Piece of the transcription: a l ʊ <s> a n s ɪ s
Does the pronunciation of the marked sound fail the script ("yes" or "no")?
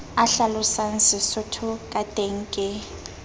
no